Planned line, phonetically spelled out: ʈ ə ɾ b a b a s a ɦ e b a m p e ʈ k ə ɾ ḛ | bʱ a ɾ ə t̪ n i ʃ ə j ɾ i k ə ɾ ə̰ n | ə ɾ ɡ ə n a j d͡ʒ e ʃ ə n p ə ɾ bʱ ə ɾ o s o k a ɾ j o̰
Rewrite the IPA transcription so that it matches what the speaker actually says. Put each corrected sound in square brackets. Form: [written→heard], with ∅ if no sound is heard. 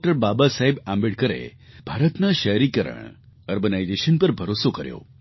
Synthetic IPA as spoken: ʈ ə ɾ b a b a s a ɦ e b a m [p→b] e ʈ k ə ɾ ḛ | bʱ a ɾ ə t̪ n [i→a] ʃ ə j ɾ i k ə ɾ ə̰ [n→ɳ] | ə ɾ ɡ ə n a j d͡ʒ e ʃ ə n p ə ɾ bʱ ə ɾ o s o k [a→ə] ɾ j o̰